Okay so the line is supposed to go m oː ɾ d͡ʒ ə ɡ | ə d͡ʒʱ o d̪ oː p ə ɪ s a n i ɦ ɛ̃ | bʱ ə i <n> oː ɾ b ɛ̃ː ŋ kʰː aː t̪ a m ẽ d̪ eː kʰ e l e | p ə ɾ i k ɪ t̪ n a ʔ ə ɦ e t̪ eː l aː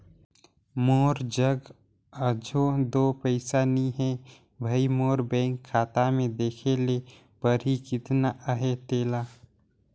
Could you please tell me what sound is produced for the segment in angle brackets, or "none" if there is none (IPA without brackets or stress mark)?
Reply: m